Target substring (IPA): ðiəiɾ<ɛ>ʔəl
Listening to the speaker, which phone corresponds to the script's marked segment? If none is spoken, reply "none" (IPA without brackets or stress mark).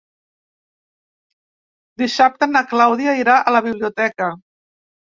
a